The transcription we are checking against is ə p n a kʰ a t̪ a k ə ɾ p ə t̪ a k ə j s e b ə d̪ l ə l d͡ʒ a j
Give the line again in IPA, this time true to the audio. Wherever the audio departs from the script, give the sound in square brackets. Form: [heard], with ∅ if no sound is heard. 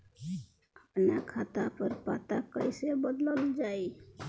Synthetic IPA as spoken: ə p n a kʰ a t̪ a [p] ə ɾ p [a] t̪ a k ə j s e b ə d̪ l ə l d͡ʒ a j